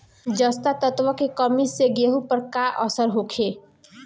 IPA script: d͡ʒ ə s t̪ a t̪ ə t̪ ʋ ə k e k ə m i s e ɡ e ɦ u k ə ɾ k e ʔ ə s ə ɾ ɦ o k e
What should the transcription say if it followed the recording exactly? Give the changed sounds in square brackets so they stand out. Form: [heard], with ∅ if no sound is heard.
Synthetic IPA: d͡ʒ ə s t̪ a t̪ ə t̪ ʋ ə k e k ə m i s e ɡ e ɦ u [p] ə ɾ k [a] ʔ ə s ə ɾ ɦ o [kʰ] e